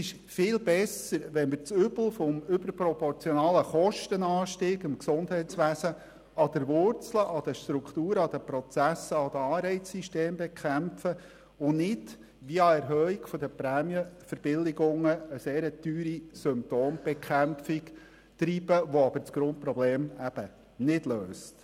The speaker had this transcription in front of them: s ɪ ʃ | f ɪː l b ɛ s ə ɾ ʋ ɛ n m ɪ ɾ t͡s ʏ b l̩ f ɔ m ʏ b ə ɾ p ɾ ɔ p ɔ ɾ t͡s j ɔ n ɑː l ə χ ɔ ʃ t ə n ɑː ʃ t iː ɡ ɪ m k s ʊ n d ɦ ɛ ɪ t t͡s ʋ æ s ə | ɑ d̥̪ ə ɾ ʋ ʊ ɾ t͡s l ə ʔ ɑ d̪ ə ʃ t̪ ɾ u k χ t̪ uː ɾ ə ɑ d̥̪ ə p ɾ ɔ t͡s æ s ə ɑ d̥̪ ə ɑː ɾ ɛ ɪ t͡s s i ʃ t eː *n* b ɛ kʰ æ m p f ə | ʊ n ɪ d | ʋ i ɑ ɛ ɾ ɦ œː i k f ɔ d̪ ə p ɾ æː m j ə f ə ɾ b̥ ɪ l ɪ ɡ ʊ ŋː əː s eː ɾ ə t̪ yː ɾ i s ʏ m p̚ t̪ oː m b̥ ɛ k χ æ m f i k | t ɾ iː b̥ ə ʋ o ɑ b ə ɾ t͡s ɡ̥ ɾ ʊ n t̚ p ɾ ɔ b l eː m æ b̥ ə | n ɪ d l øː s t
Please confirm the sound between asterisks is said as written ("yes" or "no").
no